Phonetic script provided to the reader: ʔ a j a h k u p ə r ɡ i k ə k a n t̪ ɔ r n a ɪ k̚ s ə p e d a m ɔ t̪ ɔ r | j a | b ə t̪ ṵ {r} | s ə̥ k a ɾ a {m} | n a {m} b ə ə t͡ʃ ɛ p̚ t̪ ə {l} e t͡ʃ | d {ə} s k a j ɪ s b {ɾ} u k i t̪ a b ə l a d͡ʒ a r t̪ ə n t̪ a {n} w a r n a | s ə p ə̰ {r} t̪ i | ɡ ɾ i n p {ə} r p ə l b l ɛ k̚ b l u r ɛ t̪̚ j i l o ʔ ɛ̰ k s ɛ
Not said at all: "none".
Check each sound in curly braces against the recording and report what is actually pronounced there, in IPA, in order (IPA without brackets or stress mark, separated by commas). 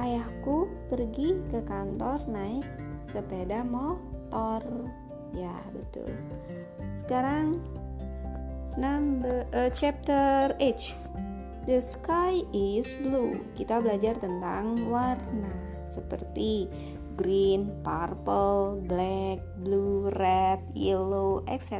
l, ŋ, m, r, ə, l, ŋ, r, a